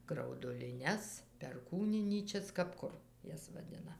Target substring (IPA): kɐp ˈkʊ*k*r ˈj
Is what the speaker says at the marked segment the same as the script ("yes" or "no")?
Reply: no